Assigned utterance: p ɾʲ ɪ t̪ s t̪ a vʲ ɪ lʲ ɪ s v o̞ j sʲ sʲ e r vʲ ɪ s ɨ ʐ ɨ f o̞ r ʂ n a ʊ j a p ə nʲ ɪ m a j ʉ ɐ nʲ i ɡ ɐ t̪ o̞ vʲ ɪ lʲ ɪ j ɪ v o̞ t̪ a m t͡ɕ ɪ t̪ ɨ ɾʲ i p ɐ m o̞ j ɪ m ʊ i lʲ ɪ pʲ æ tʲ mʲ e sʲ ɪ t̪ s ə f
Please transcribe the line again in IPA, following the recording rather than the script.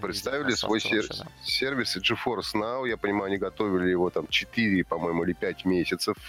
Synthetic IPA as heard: p ɾʲ ɪ t̪ s t̪ a vʲ ɪ lʲ ɪ s v o̞ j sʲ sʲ e r vʲ ɪ s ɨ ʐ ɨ f o̞ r s n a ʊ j a p ə nʲ ɪ m a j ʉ ɐ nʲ i ɡ ɐ t̪ o̞ vʲ ɪ lʲ ɪ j ɪ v o̞ t̪ a m t͡ɕ ɪ t̪ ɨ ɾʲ ɪ p ɐ m o̞ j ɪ m ʊ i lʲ ɪ pʲ æ tʲ mʲ e sʲ ɪ t̪ s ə f